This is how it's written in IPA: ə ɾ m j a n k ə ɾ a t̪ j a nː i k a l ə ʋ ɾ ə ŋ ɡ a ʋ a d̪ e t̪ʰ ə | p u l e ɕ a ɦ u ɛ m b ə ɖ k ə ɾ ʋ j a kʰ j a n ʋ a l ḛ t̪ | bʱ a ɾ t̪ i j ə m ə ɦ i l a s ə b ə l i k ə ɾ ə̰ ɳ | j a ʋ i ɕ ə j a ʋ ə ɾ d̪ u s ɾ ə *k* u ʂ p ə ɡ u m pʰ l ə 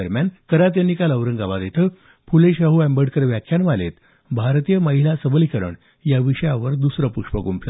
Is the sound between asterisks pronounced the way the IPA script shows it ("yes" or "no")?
no